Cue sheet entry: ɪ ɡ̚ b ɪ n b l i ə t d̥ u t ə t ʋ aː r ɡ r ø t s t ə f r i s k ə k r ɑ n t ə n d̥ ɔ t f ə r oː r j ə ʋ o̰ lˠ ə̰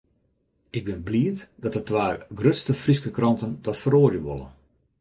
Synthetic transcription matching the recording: ɪ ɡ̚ b ɪ n b l i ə t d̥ ɔ t ə t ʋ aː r ɡ r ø t s t ə f r i s k ə k r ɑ n t ə n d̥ ɔ t f ə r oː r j ə ʋ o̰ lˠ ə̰